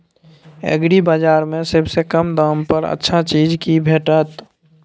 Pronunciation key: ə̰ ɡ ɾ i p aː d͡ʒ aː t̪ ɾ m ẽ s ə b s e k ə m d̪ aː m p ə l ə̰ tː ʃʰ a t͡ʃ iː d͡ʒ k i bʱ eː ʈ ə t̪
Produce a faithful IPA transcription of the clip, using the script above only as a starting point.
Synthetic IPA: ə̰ ɡ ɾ i b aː d͡ʒ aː ɾ m ẽ s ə b s e k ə m d̪ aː m p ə ɾ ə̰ tː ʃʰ a t͡ʃ iː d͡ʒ k i bʱ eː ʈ ə t̪